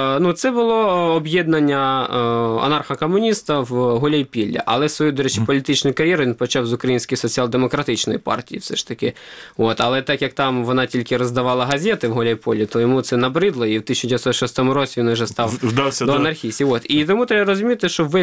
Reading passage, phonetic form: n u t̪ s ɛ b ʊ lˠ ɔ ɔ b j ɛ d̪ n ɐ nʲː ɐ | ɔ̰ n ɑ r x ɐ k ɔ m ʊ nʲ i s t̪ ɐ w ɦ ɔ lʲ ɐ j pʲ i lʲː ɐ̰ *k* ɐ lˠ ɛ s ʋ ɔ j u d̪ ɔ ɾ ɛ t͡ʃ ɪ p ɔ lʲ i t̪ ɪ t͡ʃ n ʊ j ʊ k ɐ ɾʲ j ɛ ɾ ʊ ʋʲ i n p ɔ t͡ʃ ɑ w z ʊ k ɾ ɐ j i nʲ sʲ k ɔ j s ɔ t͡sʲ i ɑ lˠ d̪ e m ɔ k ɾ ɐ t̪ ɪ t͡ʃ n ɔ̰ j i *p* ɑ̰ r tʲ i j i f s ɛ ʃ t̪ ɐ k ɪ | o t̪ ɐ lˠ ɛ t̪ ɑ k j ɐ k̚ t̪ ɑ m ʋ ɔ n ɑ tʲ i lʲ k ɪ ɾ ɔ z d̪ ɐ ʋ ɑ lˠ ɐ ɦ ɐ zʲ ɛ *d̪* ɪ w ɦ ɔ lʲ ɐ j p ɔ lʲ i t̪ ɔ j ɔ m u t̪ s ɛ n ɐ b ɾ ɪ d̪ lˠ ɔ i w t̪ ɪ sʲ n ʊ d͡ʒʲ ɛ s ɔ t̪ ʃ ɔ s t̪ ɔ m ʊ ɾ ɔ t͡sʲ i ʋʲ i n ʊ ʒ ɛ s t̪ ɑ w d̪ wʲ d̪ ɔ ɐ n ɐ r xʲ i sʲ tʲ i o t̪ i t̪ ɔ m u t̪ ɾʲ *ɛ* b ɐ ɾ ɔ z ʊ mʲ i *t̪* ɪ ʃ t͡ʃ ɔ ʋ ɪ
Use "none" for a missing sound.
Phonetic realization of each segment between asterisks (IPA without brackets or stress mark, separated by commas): ʔ, p, t̪, ɛ, t̪